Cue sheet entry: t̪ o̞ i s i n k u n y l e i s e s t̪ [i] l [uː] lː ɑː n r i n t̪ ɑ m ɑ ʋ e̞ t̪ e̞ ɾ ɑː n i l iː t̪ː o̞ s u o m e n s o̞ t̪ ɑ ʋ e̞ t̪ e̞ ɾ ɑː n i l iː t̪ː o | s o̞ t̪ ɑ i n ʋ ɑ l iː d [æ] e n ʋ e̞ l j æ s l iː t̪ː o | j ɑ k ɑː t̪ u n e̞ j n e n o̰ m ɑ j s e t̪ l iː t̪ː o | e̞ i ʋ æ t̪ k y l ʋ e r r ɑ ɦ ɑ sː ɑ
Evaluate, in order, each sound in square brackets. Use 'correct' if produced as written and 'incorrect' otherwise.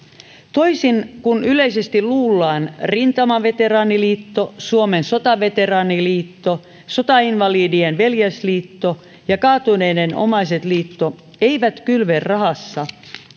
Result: correct, correct, incorrect: i

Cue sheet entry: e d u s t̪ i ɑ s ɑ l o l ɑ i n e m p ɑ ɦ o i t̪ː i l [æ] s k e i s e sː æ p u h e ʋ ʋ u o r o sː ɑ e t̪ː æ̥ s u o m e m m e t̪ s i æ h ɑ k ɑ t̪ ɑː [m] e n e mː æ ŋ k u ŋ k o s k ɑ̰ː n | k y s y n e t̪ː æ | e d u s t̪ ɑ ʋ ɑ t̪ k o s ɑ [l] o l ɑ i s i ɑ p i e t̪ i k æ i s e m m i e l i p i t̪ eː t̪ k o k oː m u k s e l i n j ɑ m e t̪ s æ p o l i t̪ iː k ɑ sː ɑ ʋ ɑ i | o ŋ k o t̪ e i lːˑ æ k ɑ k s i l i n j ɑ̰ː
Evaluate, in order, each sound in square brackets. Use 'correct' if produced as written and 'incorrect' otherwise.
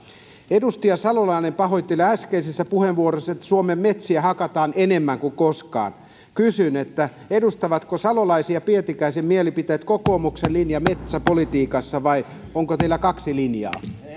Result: correct, incorrect: n, correct

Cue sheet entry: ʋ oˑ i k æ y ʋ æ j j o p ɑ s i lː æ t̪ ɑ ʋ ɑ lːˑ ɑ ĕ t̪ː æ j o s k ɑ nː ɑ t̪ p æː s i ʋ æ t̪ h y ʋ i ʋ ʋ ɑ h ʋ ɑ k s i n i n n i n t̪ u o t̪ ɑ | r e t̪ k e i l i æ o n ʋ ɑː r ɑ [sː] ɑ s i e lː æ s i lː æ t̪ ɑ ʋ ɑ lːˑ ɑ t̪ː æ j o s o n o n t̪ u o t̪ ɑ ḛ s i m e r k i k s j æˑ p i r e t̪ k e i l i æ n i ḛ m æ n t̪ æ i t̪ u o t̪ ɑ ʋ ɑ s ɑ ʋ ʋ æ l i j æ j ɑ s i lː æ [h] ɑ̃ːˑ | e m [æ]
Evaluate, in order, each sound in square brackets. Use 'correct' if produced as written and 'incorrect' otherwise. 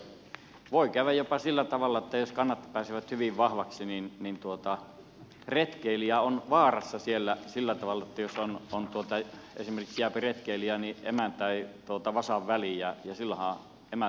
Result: correct, correct, correct

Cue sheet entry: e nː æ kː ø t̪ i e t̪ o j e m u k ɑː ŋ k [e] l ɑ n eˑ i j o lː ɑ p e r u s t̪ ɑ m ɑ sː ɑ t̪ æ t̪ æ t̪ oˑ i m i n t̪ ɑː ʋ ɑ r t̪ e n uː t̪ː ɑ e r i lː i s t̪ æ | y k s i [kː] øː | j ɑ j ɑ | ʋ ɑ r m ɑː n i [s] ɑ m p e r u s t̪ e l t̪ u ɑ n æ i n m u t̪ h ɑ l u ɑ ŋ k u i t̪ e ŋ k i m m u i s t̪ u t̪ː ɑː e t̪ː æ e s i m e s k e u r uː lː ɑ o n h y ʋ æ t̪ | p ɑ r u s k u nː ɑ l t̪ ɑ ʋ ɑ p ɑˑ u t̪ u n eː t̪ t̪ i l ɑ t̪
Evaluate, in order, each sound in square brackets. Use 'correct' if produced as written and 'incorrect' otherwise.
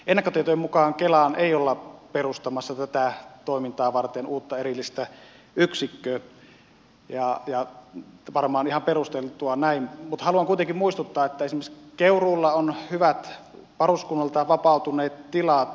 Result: correct, correct, incorrect: h

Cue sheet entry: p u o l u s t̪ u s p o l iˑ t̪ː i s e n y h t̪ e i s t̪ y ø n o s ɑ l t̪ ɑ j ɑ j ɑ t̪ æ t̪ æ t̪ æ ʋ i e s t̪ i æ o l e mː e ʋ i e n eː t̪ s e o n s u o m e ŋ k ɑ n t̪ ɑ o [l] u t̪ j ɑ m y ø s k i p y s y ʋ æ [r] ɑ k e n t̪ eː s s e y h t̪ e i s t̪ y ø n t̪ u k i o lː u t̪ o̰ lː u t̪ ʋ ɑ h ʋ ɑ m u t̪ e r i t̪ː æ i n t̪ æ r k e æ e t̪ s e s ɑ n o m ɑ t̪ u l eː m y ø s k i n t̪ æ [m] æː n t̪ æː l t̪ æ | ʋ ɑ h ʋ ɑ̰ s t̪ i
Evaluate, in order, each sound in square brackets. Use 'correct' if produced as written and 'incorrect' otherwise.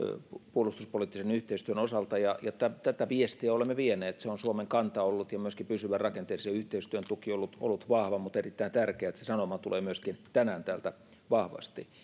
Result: incorrect: lː, correct, incorrect: n

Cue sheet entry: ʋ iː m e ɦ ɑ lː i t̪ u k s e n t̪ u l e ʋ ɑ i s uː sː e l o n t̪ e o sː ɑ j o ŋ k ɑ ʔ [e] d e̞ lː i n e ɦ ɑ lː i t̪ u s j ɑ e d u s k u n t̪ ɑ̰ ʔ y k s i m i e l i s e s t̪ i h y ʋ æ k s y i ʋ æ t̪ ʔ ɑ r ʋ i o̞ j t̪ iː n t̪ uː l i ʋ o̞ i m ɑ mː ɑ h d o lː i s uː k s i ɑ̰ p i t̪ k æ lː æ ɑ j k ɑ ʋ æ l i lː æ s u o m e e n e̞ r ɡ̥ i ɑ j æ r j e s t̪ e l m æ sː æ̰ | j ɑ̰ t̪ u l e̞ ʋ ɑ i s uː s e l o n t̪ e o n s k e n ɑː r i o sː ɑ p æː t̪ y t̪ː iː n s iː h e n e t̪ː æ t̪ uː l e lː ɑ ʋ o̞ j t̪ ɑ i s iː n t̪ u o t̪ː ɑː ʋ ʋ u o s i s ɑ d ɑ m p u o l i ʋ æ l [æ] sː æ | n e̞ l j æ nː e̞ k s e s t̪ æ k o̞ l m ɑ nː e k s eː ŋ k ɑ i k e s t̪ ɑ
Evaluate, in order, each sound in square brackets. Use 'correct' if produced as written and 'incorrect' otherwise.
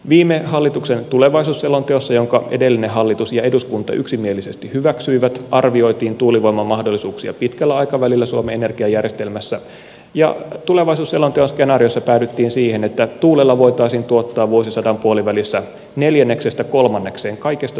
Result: correct, incorrect: i

